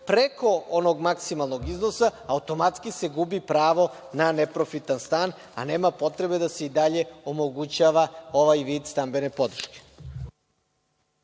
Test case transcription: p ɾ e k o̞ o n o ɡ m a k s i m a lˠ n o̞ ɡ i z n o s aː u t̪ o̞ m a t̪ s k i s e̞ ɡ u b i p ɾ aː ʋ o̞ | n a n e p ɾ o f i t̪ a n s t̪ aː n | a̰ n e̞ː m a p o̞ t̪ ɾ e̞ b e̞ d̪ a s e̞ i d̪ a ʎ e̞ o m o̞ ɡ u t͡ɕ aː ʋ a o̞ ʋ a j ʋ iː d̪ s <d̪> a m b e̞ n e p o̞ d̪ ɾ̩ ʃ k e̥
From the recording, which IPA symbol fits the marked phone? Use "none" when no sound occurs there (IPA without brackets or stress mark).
t̪